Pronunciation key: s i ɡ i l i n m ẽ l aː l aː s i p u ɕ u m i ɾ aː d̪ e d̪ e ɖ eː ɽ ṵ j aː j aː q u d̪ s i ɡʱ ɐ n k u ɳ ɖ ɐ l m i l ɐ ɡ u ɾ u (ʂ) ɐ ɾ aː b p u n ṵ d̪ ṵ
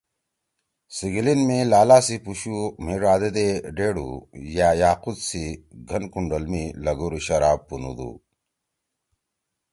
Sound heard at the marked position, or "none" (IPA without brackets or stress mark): ɕ